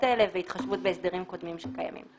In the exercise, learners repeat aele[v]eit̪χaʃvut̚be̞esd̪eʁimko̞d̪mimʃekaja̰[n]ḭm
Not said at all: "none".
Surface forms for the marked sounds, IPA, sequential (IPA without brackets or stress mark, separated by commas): v, m